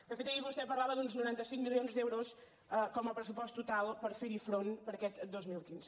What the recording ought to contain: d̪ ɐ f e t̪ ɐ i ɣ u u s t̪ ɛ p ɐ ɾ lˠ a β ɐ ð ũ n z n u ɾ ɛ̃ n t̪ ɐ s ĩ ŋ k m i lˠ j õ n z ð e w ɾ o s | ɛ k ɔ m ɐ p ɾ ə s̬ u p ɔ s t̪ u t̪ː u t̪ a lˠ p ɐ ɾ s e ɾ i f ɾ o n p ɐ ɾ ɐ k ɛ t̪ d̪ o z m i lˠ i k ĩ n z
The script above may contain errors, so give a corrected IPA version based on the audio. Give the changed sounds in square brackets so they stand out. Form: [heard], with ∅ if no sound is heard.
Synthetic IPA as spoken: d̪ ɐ f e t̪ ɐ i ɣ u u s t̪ ɛ p ɐ ɾ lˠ a β ɐ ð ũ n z n u ɾ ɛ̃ n t̪ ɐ s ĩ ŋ k m i lˠ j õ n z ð e w ɾ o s | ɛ k ɔ m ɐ p ɾ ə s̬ u p ɔ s t̪ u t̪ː u t̪ a lˠ p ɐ ɾ [f] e ɾ i f ɾ o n p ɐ ɾ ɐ k ɛ t̪ d̪ o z m i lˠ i k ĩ n z